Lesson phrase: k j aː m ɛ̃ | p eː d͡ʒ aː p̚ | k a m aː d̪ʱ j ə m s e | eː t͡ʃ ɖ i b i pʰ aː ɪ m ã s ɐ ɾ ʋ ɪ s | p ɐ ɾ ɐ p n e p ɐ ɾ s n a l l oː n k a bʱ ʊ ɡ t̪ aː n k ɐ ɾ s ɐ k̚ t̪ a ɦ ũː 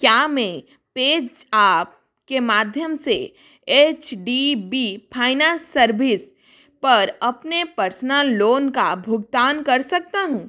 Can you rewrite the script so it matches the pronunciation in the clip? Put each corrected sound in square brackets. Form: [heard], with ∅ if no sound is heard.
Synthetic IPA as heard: k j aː m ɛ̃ | p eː d͡ʒ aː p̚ | k [e] m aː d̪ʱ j ə m s e | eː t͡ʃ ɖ i b i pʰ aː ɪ [n] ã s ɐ ɾ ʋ ɪ s | p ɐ ɾ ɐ p n e p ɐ ɾ s n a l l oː n k a bʱ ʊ ɡ t̪ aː n k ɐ ɾ s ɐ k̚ t̪ a ɦ ũː